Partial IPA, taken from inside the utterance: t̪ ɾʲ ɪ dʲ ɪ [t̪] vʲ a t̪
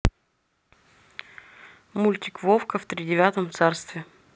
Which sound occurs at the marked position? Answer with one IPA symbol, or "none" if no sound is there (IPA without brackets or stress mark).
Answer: none